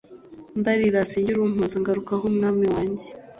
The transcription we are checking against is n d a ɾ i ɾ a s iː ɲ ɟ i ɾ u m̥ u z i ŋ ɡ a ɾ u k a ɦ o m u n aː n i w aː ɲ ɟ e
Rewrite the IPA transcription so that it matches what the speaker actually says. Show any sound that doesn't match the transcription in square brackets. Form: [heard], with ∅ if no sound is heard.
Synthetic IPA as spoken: n d a ɾ i ɾ a s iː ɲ ɟ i ɾ u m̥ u z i ŋ ɡ a ɾ u k a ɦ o m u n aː [m] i w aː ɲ ɟ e